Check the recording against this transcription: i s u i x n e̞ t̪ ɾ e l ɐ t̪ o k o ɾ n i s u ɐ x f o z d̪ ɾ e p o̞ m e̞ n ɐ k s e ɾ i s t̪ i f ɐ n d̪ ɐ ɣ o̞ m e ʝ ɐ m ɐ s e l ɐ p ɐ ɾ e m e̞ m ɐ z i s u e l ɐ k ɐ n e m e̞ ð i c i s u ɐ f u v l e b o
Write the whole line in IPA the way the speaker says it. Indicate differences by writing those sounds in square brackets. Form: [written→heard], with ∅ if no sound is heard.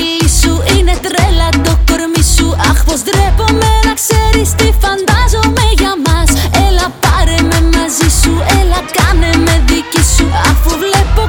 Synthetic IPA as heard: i s u i [x→∅] n e̞ t̪ ɾ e l ɐ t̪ o k o ɾ [n→m] i s u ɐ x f o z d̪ ɾ e p o̞ m e̞ n ɐ k s e ɾ i s t̪ i f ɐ n d̪ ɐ [ɣ→z] o̞ m e ʝ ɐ m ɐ s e l ɐ p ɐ ɾ e m e̞ m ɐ z i s u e l ɐ k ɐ n e m e̞ ð i c i s u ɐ f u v l e [b→p] o